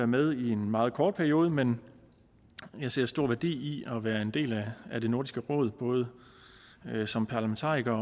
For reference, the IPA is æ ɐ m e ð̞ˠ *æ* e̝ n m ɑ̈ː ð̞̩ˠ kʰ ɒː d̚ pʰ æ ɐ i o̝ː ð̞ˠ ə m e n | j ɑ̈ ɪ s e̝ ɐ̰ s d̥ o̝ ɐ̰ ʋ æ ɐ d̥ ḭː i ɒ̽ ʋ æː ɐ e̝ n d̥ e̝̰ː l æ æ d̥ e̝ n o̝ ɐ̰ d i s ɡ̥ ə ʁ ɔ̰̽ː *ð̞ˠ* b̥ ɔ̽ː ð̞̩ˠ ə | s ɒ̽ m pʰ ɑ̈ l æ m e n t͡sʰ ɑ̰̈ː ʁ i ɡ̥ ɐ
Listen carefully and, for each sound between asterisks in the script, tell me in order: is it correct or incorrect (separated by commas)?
incorrect, correct